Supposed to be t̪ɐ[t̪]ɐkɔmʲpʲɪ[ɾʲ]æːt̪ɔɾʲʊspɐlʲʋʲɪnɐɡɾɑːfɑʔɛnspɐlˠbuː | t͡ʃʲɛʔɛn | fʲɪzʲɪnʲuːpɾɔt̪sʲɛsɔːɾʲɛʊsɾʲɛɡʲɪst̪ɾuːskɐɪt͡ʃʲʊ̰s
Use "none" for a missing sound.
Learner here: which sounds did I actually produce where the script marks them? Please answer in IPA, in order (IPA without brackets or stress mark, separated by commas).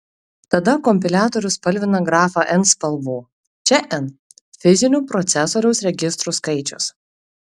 d̪, lʲ